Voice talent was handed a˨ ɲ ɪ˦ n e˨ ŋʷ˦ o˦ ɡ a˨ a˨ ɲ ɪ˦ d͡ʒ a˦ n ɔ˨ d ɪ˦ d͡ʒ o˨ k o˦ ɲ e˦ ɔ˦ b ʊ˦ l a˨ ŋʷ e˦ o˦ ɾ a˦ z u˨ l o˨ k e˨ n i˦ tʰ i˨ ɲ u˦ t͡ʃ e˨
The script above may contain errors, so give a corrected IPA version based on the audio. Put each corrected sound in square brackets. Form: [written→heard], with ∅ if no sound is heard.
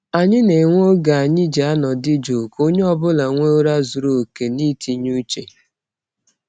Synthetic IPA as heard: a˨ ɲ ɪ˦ n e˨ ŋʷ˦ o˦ ɡ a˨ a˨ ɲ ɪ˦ d͡ʒ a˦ n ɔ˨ d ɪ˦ d͡ʒ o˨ k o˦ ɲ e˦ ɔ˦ b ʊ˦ l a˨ ŋʷ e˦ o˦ ɾ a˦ z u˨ [l→ɾ] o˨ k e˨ n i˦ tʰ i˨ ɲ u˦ t͡ʃ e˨